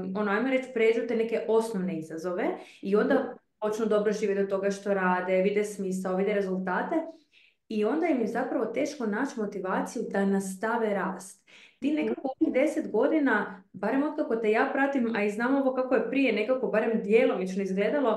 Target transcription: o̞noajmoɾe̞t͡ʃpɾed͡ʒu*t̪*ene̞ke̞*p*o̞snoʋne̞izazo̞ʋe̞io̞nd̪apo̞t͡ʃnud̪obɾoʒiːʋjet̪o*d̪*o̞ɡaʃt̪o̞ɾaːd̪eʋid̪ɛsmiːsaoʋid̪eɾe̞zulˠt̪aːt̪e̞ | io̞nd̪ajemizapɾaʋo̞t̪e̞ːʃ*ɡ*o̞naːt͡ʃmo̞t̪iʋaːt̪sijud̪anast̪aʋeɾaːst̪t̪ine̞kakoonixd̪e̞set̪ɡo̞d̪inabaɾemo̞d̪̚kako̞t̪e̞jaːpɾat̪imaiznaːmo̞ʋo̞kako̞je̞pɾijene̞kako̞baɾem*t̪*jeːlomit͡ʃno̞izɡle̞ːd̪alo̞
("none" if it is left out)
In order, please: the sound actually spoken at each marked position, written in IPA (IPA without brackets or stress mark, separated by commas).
t̪, ʔ, t̪, k, d̪